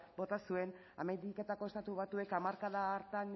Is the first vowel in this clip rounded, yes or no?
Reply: yes